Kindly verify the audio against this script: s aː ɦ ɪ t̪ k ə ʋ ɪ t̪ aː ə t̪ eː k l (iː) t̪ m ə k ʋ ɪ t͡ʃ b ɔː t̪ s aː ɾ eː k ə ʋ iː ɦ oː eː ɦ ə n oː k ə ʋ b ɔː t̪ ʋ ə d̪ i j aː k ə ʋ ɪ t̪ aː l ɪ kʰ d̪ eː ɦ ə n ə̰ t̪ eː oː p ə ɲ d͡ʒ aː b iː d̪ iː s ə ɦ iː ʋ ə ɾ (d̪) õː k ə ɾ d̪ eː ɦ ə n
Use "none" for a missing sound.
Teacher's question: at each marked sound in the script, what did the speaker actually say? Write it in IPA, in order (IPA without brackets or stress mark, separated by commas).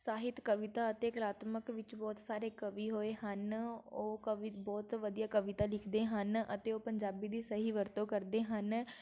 aː, t̪